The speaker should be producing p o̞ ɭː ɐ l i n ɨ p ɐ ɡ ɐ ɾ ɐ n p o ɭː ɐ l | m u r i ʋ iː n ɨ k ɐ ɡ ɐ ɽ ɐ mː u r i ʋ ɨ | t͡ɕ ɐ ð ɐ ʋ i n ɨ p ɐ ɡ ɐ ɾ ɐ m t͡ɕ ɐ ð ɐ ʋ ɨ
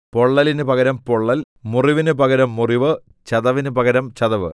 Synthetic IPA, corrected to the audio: p o̞ ɭː ɐ l i n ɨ p ɐ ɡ ɐ ɾ ɐ m p o ɭː ɐ l | m u r i ʋ i n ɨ p ɐ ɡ ɐ ɾ ɐ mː u r i ʋ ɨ | t͡ɕ ɐ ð ɐ ʋ i n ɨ p ɐ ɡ ɐ ɾ ɐ m t͡ɕ ɐ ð ɐ ʋ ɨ